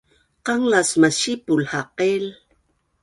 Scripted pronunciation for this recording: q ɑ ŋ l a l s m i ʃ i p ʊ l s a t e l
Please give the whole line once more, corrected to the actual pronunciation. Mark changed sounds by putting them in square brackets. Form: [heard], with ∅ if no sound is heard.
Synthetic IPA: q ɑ ŋ l a [∅] s m [a] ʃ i p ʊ l [h] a [q] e l